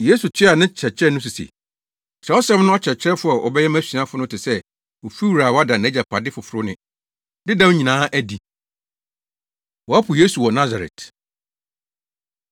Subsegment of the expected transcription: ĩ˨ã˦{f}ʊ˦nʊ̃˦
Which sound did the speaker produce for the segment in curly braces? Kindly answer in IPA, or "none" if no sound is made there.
f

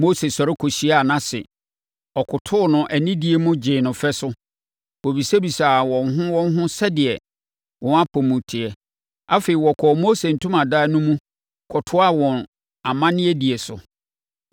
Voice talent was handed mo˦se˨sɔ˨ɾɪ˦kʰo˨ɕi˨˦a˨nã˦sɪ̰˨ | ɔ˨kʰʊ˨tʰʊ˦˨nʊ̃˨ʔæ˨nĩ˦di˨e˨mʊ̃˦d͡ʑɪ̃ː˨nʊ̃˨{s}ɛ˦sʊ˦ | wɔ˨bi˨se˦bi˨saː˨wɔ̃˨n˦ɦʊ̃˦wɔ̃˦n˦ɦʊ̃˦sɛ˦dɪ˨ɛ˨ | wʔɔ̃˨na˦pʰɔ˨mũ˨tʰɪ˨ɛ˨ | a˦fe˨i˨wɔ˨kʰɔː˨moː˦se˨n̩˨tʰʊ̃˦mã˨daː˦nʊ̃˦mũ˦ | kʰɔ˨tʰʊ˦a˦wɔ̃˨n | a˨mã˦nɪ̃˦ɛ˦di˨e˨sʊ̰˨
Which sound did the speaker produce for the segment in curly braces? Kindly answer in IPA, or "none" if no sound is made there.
f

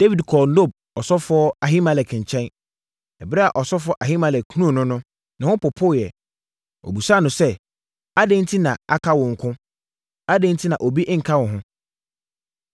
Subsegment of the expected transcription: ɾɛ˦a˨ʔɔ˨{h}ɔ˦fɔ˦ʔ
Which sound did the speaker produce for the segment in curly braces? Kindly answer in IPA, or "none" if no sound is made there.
s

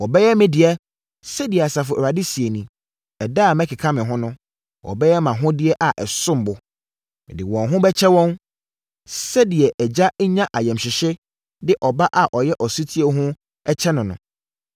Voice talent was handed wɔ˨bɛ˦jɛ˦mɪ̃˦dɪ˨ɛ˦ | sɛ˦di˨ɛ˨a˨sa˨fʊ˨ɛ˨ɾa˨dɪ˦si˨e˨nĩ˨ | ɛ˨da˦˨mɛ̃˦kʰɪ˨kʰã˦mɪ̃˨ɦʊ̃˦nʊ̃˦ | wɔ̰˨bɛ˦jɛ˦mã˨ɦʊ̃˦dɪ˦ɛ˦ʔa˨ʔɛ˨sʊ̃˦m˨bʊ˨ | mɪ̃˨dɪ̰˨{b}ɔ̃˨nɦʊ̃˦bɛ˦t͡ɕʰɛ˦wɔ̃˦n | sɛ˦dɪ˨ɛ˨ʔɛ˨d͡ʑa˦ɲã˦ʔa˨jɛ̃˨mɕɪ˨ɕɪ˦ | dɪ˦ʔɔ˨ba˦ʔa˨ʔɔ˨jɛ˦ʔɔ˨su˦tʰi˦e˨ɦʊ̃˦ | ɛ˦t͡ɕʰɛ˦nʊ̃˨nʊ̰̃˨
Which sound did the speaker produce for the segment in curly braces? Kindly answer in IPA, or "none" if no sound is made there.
w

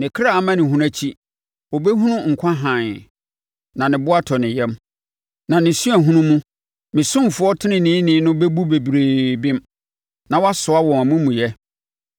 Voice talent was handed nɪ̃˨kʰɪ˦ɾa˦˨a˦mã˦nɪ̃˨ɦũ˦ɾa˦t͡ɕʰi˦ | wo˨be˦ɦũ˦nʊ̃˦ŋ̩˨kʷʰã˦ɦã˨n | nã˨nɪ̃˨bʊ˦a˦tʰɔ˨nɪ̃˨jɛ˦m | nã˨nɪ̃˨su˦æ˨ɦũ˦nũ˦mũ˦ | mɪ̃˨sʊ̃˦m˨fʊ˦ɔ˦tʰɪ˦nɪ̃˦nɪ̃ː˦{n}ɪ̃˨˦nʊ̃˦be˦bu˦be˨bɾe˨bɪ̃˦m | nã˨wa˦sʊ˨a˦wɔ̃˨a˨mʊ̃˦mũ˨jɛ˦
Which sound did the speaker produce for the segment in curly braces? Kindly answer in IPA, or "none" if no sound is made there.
n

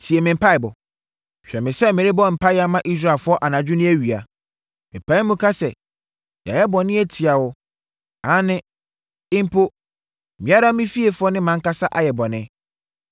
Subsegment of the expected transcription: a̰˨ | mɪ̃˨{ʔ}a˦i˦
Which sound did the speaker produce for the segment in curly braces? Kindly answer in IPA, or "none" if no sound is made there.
p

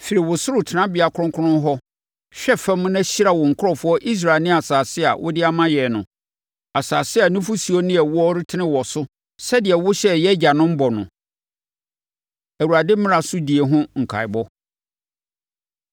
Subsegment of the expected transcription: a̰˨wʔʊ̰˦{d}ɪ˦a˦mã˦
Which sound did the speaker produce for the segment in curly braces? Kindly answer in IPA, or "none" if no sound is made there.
d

